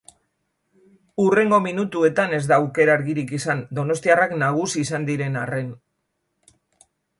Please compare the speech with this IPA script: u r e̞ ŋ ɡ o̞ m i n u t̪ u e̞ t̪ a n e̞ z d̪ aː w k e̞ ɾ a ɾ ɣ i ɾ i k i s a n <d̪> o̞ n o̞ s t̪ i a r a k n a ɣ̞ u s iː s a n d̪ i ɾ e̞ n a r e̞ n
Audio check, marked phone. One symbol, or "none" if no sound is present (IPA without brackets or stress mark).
d̪